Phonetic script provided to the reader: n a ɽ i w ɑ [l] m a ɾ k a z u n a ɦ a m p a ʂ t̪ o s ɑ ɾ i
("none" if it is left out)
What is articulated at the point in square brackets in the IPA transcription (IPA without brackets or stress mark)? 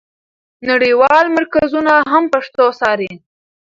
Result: l